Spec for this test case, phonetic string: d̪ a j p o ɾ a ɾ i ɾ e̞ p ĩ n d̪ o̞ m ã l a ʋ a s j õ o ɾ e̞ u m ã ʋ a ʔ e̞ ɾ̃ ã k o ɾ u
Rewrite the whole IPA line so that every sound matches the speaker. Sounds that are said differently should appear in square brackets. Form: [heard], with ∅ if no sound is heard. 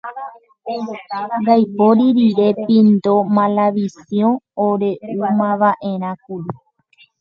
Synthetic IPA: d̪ a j p o ɾ [i] ɾ i ɾ e̞ p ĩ n d̪ o̞ m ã l a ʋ [i] s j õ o ɾ e̞ u m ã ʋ a ʔ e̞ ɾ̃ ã k [u] ɾ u